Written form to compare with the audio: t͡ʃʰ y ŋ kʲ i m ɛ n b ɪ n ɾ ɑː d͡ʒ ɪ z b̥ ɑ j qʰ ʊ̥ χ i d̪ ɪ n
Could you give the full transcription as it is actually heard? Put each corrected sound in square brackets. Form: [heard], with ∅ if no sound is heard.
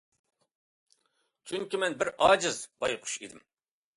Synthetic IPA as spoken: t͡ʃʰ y ŋ kʲ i m ɛ n b ɪ [∅] ɾ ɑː d͡ʒ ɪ z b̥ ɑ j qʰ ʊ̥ [ʃ] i d̪ ɪ [m]